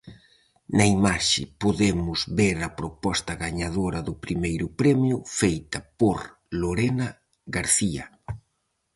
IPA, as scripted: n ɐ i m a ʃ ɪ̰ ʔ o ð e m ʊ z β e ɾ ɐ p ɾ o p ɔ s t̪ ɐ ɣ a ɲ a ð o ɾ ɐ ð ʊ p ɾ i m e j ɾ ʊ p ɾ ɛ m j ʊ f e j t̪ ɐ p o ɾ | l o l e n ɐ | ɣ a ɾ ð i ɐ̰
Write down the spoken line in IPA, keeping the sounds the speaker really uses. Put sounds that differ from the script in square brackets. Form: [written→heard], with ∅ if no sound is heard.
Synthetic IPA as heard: n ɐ i m a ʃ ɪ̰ [ʔ→p] o ð e m ʊ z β e ɾ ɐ p ɾ o p ɔ s t̪ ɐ ɣ a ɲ a ð o ɾ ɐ ð ʊ p ɾ i m e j ɾ ʊ p ɾ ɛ m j ʊ f e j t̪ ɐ p o ɾ | l o [l→ɾ] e n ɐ | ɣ a ɾ [ð→θ] i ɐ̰